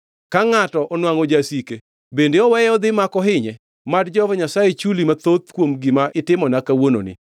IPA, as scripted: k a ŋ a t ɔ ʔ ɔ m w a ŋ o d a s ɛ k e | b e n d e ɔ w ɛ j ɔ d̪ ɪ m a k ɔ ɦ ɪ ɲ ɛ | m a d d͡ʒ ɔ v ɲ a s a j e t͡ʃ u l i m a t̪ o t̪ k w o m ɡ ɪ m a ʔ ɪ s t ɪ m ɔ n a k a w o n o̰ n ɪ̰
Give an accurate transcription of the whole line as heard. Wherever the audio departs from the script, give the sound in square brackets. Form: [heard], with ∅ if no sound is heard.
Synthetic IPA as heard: k a ŋ a t ɔ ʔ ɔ [n] w a ŋ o [d͡ʒ] a s [i] k e | b e n d e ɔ w ɛ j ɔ d̪ ɪ m a k ɔ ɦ ɪ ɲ ɛ | m a d d͡ʒ ɔ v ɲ a s a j e t͡ʃ u l i m a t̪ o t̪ k w o m ɡ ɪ m a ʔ ɪ [∅] t ɪ m ɔ n a k a w o n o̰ n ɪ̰

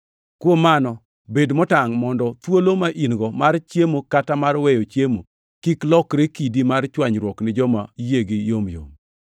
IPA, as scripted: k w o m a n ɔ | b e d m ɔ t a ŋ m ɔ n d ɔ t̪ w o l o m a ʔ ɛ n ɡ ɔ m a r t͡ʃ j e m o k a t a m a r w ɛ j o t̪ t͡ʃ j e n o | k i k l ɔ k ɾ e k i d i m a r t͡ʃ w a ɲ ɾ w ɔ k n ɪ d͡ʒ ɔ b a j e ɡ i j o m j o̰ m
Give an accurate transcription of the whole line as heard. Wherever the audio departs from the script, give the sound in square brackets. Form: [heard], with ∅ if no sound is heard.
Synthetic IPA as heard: k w o m a n ɔ | b e d m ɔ t a ŋ m ɔ n d ɔ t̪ w o l o m a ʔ [i] n ɡ ɔ m a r t͡ʃ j e m o k a t a m a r w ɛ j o [∅] t͡ʃ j e [m] o | k i k l ɔ k ɾ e k i d i m a r t͡ʃ w a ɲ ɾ w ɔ k n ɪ d͡ʒ ɔ [m] a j e ɡ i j o m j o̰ m

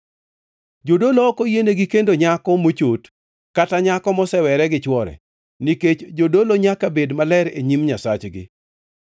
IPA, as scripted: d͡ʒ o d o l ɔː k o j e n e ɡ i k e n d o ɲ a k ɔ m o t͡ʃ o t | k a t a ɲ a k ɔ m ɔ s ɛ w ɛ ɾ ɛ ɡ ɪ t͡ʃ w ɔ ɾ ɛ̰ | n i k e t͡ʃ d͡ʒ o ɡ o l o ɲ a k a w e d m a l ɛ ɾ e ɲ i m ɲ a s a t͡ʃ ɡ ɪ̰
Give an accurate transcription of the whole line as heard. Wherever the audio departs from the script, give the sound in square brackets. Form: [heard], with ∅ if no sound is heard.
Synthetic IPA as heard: d͡ʒ o d o l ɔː k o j e n e ɡ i k e n d o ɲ a k ɔ m o t͡ʃ o t | k a t a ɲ a k ɔ m ɔ s ɛ w ɛ ɾ ɛ ɡ ɪ t͡ʃ w ɔ ɾ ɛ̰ | n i k e t͡ʃ d͡ʒ o [d] o l o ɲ a k a [b] e d m a l ɛ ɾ e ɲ i m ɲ a s a t͡ʃ ɡ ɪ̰

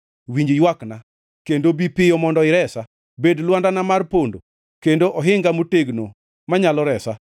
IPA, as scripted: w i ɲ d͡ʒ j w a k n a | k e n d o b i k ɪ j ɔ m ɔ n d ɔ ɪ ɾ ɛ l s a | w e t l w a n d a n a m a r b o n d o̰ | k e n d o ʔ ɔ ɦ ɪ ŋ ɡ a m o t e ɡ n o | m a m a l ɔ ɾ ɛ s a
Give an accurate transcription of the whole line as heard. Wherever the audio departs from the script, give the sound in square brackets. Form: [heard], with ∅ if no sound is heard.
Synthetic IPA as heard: w i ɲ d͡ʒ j w a k n a | k e n d o b i [p] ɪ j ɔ m ɔ n d ɔ ɪ ɾ ɛ [∅] s a | [b] e [d] l w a n d a n a m a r [p] o n d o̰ | k e n d o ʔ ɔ ɦ ɪ ŋ ɡ a m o t e ɡ n o | m a [ɲ] a l ɔ ɾ ɛ s a

